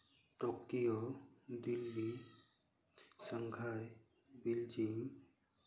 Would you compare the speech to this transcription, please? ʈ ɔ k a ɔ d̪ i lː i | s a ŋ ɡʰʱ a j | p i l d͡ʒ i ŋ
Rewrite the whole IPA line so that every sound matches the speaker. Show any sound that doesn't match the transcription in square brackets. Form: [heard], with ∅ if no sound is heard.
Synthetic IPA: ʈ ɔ k [i] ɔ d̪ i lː i | s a ŋ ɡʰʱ a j | [b] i l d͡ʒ i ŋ